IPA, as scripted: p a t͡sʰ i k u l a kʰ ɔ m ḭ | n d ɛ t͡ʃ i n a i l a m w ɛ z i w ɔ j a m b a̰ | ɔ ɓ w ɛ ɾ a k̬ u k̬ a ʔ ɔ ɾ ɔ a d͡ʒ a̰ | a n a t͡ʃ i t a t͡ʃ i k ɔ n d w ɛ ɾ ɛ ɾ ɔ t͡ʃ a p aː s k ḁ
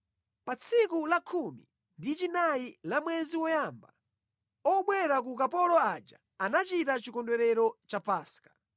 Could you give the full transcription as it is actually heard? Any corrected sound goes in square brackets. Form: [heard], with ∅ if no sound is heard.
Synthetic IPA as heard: p a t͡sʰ i k u l a kʰ [u] m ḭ | n d [i] t͡ʃ i n a i l a m w ɛ z i w ɔ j a m b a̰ | ɔ ɓ w ɛ ɾ a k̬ u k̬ a [p] ɔ [l] ɔ a d͡ʒ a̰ | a n a t͡ʃ i t a t͡ʃ i k ɔ n d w ɛ ɾ ɛ ɾ ɔ t͡ʃ a p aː s k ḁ